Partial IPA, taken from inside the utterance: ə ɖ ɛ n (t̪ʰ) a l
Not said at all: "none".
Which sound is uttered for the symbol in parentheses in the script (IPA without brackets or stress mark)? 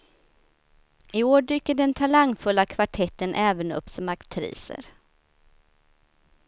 t̪ʰ